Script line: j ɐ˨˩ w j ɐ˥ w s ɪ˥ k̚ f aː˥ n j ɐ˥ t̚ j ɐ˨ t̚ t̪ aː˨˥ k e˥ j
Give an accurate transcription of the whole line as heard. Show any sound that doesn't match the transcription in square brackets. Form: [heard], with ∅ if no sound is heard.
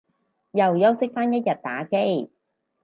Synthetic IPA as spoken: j ɐ˨˩ w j ɐ˥ w s ɪ˥ k̚ f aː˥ n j ɐ˥ t̚ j ɐ˨ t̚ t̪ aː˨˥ k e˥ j